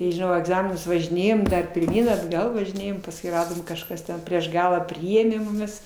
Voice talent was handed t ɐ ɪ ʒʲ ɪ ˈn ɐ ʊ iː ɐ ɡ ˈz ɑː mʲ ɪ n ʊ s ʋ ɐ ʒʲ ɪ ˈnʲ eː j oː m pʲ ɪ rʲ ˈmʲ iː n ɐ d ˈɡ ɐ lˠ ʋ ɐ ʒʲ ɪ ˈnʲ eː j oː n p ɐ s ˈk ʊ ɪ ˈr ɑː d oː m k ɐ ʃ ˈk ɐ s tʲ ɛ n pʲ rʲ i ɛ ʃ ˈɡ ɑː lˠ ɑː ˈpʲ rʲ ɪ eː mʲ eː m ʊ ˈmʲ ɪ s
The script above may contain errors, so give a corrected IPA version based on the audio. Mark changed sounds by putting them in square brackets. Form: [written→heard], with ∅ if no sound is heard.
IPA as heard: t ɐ ɪ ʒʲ ɪ ˈn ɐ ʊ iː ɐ ɡ ˈz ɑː mʲ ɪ n ʊ s ʋ ɐ ʒʲ ɪ ˈnʲ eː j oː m pʲ ɪ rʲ ˈmʲ iː n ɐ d ˈɡ ɐ lˠ ʋ ɐ ʒʲ ɪ ˈnʲ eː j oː [n→m] p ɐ s ˈk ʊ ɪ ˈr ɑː d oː m k ɐ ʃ ˈk ɐ s tʲ ɛ n pʲ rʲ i ɛ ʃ ˈɡ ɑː lˠ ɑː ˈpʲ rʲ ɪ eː mʲ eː m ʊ ˈmʲ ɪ s